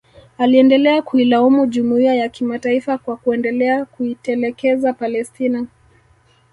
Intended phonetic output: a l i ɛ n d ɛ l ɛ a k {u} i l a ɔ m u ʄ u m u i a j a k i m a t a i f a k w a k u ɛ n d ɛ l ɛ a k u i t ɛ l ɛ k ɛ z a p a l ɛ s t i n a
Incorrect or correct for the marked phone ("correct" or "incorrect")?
correct